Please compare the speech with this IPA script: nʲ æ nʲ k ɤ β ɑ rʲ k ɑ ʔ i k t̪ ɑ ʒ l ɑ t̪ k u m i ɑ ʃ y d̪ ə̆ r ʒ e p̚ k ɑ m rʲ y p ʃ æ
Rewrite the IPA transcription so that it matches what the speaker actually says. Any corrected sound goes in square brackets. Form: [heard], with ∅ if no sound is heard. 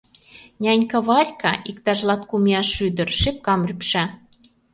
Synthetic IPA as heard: nʲ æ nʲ k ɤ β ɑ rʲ k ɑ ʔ i k t̪ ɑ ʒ l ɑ t̪ k u m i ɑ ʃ y d̪ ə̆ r [ʃ] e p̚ k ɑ m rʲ y p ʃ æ